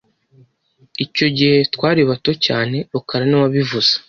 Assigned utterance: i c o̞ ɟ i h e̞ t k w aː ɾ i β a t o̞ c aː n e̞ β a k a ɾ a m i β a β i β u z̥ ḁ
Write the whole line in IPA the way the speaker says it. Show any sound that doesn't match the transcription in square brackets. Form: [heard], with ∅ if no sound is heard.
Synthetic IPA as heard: i c o̞ ɟ i h e̞ t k w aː ɾ i β a t o̞ c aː n e̞ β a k a ɾ a [n] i [w] a β i [v] u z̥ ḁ